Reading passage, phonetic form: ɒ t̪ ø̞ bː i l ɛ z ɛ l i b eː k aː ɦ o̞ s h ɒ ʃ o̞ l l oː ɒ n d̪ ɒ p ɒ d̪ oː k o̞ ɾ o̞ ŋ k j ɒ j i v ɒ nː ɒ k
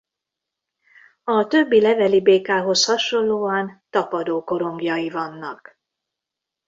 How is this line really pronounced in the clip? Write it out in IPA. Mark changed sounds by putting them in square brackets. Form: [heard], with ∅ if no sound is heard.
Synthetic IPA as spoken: ɒ t̪ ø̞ bː i l ɛ [v] ɛ l i b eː k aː ɦ o̞ s h ɒ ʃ o̞ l l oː ɒ n [t̪] ɒ p ɒ d̪ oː k o̞ ɾ o̞ ŋ [ɡ] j ɒ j i v ɒ nː ɒ k